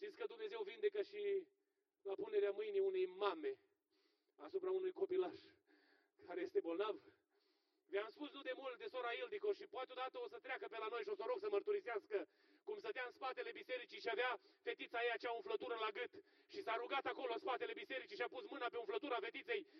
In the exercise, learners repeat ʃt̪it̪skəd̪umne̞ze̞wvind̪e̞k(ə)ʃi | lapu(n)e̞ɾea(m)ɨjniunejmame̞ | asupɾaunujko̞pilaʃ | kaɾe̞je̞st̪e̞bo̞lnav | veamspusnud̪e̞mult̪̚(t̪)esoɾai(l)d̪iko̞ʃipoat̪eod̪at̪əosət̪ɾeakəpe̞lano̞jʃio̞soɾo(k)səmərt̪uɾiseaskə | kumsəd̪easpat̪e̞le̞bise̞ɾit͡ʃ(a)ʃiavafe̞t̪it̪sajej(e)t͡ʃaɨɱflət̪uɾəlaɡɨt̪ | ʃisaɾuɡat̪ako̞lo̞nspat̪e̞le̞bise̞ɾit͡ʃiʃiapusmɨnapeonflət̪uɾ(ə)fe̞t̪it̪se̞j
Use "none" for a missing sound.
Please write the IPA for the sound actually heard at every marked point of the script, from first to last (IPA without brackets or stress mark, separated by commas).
ə, n, m, d̪, l, ɡ, i, a, a